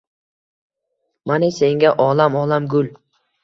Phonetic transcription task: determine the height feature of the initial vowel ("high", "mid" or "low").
low